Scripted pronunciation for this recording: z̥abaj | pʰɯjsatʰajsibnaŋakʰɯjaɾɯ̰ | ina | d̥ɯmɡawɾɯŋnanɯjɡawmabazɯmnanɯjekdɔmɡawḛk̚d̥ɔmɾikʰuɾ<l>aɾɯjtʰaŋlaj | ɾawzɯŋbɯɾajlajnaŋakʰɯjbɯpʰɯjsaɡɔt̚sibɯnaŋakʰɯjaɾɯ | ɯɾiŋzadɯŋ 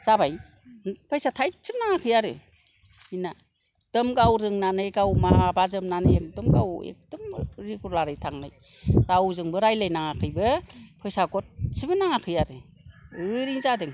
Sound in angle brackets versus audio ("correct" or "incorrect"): correct